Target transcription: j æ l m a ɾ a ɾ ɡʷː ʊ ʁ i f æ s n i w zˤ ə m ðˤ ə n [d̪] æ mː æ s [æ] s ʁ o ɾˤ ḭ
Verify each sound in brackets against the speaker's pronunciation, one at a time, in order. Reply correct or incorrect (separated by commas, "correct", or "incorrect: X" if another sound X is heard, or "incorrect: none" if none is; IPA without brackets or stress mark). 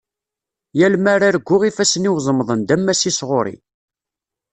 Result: correct, incorrect: i